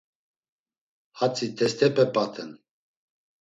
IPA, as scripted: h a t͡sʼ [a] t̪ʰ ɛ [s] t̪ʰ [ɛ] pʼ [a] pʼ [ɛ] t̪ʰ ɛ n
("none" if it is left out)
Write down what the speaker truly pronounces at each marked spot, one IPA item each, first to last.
i, s, ɛ, ɛ, a

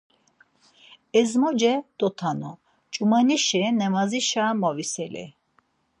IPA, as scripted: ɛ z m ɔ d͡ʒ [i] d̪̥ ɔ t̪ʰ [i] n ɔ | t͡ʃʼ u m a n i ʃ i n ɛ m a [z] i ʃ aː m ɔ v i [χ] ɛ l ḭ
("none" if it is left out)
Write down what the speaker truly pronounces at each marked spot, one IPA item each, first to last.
ɛ, a, z, s

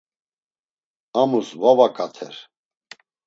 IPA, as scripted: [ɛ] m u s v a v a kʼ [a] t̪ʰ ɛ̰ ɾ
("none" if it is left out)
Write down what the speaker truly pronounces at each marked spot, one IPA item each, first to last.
a, a

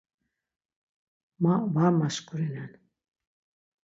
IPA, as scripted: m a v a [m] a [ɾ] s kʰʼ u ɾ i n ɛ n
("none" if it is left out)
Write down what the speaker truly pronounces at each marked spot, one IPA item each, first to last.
m, none

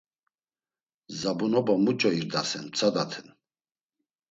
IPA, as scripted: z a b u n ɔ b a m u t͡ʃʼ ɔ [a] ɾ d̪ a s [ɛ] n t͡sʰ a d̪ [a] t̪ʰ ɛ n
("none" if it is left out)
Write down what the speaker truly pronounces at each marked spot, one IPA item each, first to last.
i, ɛ, a

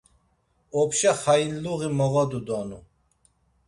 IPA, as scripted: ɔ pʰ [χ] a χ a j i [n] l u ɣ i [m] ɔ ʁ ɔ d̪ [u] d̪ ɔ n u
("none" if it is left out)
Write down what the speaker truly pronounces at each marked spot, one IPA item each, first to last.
ʃ, n, m, u

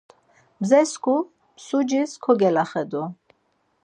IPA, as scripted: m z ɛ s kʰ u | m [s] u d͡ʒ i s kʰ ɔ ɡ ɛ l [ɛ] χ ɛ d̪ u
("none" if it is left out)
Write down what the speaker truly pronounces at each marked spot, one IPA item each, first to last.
s, a

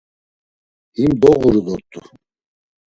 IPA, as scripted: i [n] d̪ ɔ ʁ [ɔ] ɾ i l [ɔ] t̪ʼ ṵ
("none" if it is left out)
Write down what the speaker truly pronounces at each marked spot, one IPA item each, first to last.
m, u, ɔ

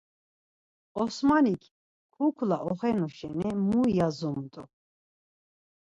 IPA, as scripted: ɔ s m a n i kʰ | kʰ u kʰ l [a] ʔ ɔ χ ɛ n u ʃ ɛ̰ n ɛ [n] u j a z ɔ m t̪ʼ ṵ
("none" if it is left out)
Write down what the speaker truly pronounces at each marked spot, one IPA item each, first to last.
a, m

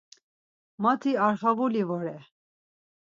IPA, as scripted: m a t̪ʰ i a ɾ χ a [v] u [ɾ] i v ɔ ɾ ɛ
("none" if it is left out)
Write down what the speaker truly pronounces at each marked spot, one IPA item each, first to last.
v, l

